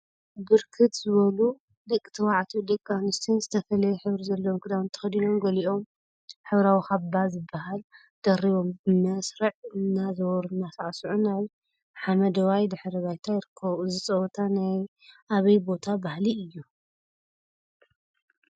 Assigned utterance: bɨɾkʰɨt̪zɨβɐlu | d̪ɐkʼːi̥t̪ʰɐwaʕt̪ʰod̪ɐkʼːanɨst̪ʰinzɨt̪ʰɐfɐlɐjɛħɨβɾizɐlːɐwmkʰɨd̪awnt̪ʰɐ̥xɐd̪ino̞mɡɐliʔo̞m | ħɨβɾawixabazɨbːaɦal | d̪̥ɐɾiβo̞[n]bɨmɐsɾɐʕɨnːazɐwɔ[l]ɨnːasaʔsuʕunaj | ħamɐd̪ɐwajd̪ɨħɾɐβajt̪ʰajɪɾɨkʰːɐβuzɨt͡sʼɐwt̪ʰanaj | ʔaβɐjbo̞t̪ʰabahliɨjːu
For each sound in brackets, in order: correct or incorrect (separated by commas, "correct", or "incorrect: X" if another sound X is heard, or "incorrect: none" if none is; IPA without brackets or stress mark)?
incorrect: m, incorrect: ɾ